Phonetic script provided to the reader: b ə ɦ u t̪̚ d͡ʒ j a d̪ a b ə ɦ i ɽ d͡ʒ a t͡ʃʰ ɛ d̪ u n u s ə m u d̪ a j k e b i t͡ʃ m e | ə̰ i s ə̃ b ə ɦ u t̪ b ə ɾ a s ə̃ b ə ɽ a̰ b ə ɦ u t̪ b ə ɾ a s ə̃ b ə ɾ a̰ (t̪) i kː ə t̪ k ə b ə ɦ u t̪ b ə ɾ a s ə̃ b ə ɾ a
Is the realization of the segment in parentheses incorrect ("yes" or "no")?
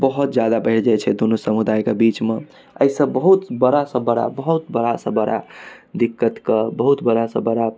yes